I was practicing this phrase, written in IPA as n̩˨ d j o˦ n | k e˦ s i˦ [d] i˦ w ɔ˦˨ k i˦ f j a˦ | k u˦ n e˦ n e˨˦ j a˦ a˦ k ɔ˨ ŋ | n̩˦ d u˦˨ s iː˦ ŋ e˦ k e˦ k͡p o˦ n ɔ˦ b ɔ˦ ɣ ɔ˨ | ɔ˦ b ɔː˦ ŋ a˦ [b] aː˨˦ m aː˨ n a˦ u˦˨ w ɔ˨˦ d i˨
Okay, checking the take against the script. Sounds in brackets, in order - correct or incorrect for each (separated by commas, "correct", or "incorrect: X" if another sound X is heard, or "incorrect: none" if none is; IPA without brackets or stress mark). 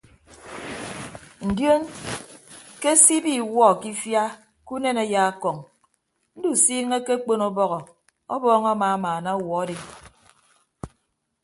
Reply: incorrect: b, incorrect: m